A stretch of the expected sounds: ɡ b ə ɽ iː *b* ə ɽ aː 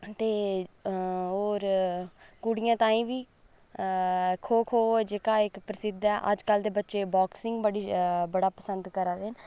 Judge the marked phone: correct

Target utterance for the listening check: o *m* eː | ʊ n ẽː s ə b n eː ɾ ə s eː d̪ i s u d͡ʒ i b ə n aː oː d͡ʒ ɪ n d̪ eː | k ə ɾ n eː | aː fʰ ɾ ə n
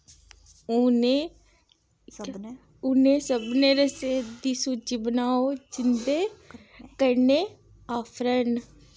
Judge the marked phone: incorrect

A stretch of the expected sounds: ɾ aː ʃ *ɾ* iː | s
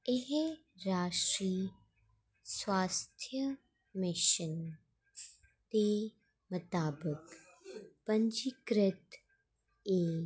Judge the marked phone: correct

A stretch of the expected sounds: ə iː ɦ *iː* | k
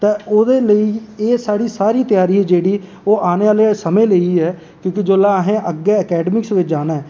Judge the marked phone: incorrect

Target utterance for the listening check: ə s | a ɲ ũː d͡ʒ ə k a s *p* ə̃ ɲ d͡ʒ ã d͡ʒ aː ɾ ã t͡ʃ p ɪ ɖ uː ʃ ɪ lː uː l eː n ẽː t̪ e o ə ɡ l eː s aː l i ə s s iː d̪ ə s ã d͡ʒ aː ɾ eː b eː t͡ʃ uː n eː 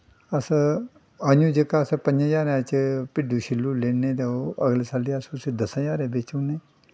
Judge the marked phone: correct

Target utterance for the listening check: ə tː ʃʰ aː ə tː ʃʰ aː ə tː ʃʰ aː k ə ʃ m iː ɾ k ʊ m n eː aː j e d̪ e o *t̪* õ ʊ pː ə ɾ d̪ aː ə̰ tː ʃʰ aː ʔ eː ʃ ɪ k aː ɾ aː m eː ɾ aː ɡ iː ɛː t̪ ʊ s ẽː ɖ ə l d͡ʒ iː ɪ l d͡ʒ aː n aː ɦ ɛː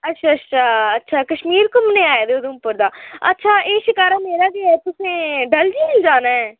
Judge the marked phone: incorrect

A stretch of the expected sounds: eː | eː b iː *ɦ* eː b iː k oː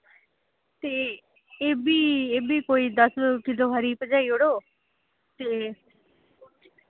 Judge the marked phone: incorrect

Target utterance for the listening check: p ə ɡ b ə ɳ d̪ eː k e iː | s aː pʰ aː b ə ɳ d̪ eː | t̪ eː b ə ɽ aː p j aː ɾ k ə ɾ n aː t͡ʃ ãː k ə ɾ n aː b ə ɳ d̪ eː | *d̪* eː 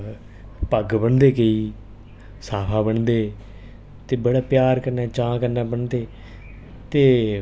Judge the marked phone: incorrect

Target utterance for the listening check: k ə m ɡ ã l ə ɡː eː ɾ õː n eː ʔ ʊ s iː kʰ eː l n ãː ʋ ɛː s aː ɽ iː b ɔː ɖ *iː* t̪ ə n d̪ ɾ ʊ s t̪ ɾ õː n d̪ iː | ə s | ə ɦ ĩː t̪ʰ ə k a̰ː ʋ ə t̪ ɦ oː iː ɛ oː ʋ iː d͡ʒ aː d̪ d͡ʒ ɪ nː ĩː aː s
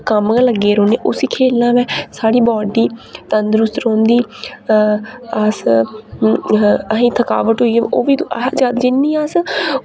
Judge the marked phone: correct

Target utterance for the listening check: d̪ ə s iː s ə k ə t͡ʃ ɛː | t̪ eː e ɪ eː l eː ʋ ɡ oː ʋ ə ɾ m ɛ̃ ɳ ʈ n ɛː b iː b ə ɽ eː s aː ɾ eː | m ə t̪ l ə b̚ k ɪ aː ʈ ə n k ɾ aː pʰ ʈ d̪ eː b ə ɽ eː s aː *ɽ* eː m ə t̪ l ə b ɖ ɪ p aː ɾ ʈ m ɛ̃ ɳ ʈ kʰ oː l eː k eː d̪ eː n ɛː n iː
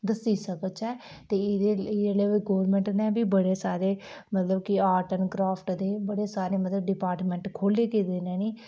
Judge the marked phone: incorrect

